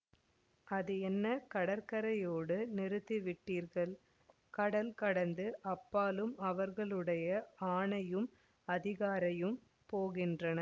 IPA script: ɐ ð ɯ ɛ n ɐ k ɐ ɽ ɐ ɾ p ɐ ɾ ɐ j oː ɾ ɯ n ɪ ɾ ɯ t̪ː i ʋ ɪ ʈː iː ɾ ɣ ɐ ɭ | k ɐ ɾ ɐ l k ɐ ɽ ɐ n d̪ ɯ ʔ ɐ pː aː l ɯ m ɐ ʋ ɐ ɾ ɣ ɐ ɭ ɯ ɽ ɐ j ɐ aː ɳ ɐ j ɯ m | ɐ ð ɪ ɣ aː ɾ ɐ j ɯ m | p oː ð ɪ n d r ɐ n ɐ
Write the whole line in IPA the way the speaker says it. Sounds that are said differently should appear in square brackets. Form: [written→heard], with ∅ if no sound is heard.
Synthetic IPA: ɐ ð ɯ ɛ [n→nː] ɐ k ɐ ɽ ɐ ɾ [p→k] ɐ ɾ ɐ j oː [ɾ→ɽ] ɯ n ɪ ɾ ɯ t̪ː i ʋ ɪ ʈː iː ɾ ɣ ɐ ɭ | k ɐ [ɾ→ɽ] ɐ l k ɐ ɽ ɐ n d̪ ɯ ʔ ɐ pː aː l ɯ m ɐ ʋ ɐ ɾ ɣ ɐ ɭ ɯ ɽ ɐ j ɐ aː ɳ ɐ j ɯ m | ɐ ð ɪ ɣ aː ɾ ɐ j ɯ m | p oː [ð→ɣ] ɪ n d r ɐ n ɐ

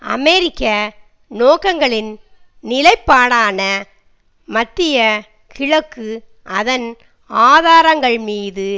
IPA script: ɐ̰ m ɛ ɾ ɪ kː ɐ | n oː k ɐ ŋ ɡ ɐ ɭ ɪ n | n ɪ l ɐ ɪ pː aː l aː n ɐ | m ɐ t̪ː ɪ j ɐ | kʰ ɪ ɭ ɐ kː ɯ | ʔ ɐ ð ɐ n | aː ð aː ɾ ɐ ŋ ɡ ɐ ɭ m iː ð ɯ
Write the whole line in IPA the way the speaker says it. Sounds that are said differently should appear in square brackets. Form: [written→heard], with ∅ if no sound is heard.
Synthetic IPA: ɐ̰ m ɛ ɾ ɪ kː ɐ | n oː k ɐ ŋ ɡ ɐ ɭ ɪ n | n ɪ l ɐ ɪ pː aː [l→ɽ] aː n ɐ | m ɐ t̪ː ɪ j ɐ | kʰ ɪ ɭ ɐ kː ɯ | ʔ ɐ ð ɐ n | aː ð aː ɾ ɐ ŋ ɡ ɐ ɭ m iː ð ɯ

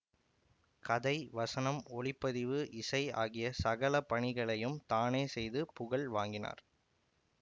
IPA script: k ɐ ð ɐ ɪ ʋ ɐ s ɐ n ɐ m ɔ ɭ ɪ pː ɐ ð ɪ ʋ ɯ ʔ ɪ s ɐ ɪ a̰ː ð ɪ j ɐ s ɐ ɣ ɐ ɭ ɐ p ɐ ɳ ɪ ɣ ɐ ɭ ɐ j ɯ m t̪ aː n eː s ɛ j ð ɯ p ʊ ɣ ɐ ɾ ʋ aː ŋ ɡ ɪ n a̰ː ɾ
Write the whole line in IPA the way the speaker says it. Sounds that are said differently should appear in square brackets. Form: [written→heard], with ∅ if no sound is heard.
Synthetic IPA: k ɐ ð ɐ ɪ ʋ ɐ s ɐ n ɐ m ɔ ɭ ɪ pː ɐ ð ɪ ʋ ɯ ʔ ɪ s ɐ ɪ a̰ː [ð→ɣ] ɪ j ɐ s ɐ ɣ ɐ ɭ ɐ p ɐ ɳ ɪ ɣ ɐ ɭ ɐ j ɯ m t̪ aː n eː s ɛ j ð ɯ p ʊ ɣ ɐ [ɾ→ɭ] ʋ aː ŋ ɡ ɪ n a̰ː ɾ

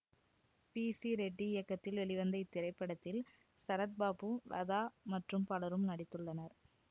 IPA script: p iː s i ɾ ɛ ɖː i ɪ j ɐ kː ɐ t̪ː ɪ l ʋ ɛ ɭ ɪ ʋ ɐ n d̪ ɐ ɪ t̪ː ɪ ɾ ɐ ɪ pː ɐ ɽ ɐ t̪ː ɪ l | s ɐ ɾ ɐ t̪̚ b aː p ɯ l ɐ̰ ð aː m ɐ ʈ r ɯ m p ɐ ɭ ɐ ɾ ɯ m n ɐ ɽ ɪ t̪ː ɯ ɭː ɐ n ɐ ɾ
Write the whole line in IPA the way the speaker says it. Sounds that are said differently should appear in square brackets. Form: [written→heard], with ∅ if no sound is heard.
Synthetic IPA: p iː s i ɾ ɛ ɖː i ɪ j ɐ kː ɐ t̪ː ɪ l ʋ ɛ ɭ ɪ ʋ ɐ n d̪ ɐ ɪ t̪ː ɪ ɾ ɐ ɪ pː ɐ ɽ ɐ t̪ː ɪ l | s ɐ ɾ ɐ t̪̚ b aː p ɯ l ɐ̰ ð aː m ɐ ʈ r ɯ m p ɐ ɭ ɐ ɾ ɯ m n ɐ ɽ ɪ t̪ː ɯ ɭː ɐ n ɐ ɾ

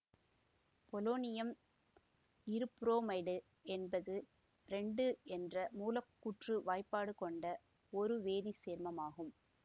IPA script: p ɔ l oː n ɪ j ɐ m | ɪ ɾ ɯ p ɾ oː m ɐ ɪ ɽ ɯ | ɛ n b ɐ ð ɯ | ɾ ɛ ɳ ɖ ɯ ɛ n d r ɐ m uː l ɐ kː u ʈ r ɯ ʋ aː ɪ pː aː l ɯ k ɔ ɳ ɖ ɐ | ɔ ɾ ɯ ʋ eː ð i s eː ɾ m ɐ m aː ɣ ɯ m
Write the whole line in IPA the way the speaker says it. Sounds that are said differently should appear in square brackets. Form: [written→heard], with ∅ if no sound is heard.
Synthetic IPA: p ɔ l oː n ɪ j ɐ m | ɪ ɾ ɯ p ɾ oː m ɐ ɪ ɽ ɯ | ɛ n b ɐ ð ɯ | ɾ ɛ ɳ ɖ ɯ ɛ n d r ɐ m uː l ɐ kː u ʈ r ɯ ʋ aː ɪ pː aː [l→ɽ] ɯ k ɔ ɳ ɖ ɐ | ɔ ɾ ɯ ʋ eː ð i s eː ɾ m ɐ m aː ɣ ɯ m

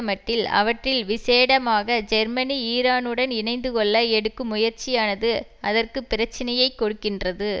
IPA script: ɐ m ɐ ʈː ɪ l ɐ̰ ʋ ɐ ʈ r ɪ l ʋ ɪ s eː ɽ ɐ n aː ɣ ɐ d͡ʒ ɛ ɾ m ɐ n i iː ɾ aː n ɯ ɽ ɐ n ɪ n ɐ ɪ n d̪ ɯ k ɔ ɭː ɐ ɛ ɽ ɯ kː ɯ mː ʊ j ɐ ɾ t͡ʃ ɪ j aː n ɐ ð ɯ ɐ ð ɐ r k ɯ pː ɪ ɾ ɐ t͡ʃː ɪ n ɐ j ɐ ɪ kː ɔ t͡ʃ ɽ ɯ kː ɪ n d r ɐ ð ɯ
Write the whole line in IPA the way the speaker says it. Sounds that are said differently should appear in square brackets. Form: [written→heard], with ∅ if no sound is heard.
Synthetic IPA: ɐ m ɐ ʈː ɪ l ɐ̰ ʋ ɐ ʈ r ɪ l ʋ ɪ s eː ɽ ɐ [n→m] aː ɣ ɐ d͡ʒ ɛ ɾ m ɐ n i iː ɾ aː n ɯ ɽ ɐ n ɪ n ɐ ɪ n d̪ ɯ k ɔ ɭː ɐ ɛ ɽ ɯ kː ɯ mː ʊ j ɐ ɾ t͡ʃ ɪ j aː n ɐ ð ɯ ɐ ð ɐ r k ɯ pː ɪ ɾ ɐ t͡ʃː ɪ n ɐ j ɐ ɪ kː ɔ [t͡ʃ→∅] ɽ ɯ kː ɪ n d r ɐ ð ɯ

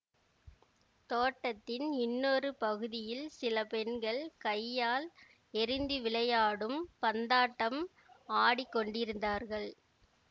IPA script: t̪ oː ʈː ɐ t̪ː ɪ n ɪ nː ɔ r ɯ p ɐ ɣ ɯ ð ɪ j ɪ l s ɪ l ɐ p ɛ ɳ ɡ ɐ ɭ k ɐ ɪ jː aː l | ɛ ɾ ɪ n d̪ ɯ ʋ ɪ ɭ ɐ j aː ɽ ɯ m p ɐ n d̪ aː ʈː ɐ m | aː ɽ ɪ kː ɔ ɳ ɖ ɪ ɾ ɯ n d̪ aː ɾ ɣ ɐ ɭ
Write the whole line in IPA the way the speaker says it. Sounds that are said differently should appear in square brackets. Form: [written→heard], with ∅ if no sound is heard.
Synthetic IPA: t̪ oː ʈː ɐ t̪ː ɪ n ɪ nː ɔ r ɯ p ɐ ɣ ɯ ð ɪ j ɪ l s ɪ l ɐ p ɛ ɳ ɡ ɐ ɭ k ɐ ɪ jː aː l | ɛ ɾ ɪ n d̪ ɯ ʋ ɪ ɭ ɐ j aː ɽ ɯ m p ɐ n d̪ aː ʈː ɐ m | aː ɽ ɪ kː ɔ ɳ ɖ ɪ ɾ ɯ n d̪ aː ɾ ɣ ɐ ɭ

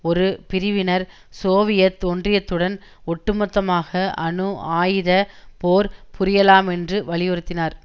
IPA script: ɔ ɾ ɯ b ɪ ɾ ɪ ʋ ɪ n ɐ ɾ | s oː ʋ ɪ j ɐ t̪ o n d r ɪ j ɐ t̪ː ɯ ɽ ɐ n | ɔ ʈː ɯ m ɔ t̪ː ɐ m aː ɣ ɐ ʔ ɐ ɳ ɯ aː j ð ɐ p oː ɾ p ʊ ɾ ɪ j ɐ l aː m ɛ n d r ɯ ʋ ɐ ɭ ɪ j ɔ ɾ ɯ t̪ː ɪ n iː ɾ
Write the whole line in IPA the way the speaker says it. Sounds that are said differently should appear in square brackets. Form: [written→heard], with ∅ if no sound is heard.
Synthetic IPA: ɔ ɾ ɯ [b→p] ɪ ɾ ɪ ʋ ɪ n ɐ ɾ | s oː ʋ ɪ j ɐ t̪ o n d r ɪ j ɐ t̪ː ɯ ɽ ɐ n | ɔ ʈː ɯ m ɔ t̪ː ɐ m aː ɣ ɐ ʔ ɐ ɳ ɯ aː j ð ɐ p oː ɾ p ʊ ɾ ɪ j ɐ l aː m ɛ n d r ɯ ʋ ɐ ɭ ɪ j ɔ ɾ ɯ t̪ː ɪ n [iː→aː] ɾ

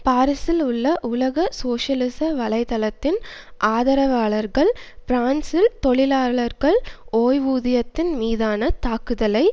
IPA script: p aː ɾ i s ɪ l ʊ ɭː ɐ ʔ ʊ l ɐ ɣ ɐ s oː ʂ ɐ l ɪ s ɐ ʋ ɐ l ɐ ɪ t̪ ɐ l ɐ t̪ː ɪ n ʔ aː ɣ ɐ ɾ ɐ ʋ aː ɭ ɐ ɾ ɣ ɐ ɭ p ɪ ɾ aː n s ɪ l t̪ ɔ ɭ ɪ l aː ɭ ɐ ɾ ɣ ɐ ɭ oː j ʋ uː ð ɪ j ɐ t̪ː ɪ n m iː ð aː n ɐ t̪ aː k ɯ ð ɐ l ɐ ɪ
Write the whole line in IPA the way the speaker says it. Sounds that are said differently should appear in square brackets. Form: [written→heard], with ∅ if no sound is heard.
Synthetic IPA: p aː ɾ [i→ɪ] s ɪ l ʊ ɭː ɐ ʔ ʊ l ɐ ɣ ɐ s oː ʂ ɐ l ɪ s ɐ ʋ ɐ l ɐ ɪ t̪ ɐ l ɐ t̪ː ɪ n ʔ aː [ɣ→ð] ɐ ɾ ɐ ʋ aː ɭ ɐ ɾ ɣ ɐ ɭ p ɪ ɾ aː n s ɪ l t̪ ɔ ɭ ɪ l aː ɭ ɐ ɾ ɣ ɐ ɭ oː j ʋ uː ð ɪ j ɐ t̪ː ɪ n m iː ð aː n ɐ t̪ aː k ɯ ð ɐ l ɐ ɪ

